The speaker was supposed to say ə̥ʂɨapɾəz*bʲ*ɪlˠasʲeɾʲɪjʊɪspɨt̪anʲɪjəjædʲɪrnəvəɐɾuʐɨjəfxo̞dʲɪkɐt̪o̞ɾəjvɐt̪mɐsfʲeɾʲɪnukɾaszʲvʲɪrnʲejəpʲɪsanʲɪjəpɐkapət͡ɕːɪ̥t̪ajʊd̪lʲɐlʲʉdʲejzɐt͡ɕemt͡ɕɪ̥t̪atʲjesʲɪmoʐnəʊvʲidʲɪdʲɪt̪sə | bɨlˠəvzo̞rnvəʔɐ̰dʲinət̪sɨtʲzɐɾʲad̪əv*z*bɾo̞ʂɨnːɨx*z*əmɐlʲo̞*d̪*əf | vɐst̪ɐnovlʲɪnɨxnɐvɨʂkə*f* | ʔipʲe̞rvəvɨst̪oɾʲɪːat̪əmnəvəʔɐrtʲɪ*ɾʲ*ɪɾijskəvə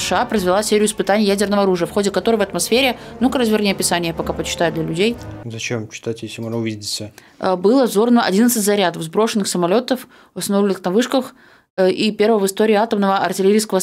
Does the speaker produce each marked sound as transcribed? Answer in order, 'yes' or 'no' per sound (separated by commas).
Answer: no, yes, no, no, no, no